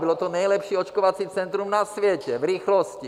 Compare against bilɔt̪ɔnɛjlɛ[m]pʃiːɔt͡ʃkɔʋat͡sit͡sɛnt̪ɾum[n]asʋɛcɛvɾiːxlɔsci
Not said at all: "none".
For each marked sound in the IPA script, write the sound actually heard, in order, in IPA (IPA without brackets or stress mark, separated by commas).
none, n